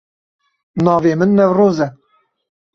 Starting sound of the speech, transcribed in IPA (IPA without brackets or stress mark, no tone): n